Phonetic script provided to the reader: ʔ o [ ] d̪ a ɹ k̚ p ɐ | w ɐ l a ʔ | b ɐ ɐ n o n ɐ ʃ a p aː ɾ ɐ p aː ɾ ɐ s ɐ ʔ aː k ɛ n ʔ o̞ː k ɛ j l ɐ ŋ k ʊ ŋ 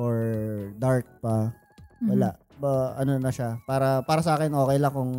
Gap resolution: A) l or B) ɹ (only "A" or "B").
B